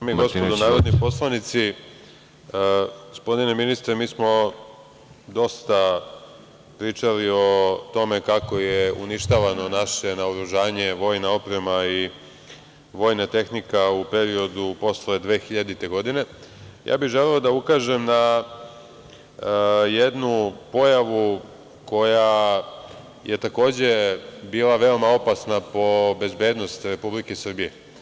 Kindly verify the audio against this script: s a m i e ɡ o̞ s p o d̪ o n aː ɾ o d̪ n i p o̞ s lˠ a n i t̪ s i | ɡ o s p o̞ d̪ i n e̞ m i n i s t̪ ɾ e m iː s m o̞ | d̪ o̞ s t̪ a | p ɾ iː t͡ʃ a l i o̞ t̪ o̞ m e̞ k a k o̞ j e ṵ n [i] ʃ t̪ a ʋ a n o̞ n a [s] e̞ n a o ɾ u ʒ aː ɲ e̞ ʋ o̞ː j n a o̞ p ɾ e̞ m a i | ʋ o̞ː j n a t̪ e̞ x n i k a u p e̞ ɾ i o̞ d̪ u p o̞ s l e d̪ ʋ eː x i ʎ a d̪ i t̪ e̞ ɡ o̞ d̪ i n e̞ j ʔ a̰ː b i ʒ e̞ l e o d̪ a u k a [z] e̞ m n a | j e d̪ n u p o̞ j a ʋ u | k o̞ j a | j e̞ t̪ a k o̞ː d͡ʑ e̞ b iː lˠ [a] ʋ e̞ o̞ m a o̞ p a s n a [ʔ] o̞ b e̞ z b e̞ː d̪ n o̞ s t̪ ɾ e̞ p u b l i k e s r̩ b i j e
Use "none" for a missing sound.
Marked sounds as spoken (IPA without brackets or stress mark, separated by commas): i, ʃ, ʒ, a, p